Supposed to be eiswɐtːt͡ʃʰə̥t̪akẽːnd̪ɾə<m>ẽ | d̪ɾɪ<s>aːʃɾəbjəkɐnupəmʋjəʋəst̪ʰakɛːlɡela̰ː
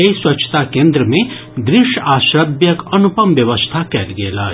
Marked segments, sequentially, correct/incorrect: correct, incorrect

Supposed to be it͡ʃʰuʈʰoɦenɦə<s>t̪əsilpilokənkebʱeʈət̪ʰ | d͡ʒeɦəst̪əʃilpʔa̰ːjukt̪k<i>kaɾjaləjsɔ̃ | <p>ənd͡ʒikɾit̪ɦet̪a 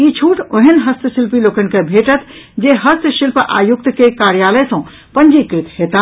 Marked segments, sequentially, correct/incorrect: correct, incorrect, correct

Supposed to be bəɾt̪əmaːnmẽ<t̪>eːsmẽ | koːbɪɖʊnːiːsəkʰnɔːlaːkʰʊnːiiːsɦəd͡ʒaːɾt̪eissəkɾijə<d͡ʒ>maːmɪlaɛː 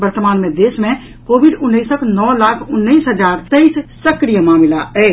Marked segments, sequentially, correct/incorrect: incorrect, incorrect

